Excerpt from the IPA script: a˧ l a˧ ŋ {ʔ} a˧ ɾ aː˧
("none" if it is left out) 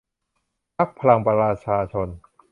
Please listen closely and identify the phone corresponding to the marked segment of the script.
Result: p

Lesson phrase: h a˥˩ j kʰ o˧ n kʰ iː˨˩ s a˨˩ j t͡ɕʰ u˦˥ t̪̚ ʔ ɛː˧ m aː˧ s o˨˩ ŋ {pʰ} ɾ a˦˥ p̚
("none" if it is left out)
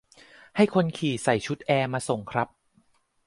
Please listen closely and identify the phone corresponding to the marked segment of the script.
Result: kʰ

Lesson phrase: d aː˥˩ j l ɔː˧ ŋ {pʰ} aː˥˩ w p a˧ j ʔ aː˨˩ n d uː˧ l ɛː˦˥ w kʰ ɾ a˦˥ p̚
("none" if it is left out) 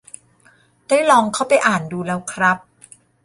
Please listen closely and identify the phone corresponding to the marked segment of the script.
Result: kʰ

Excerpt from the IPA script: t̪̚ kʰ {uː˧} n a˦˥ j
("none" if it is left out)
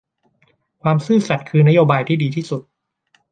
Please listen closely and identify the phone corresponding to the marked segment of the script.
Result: ɯː˧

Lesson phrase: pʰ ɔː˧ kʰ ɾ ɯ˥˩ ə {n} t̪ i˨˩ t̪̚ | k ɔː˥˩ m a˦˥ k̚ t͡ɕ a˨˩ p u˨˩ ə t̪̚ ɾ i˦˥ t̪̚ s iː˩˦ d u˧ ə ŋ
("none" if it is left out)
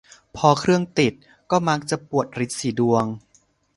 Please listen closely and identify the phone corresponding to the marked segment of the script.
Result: ŋ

